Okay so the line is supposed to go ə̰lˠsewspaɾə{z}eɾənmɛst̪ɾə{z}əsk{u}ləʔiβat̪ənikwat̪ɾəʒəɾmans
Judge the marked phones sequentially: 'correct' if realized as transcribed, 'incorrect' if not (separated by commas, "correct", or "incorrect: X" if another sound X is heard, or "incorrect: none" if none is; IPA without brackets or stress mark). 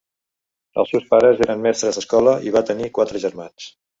correct, correct, incorrect: ɔ